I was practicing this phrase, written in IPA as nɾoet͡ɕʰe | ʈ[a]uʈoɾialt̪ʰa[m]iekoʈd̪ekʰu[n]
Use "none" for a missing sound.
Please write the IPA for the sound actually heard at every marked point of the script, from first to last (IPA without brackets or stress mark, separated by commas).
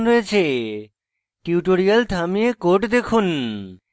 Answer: i, m, n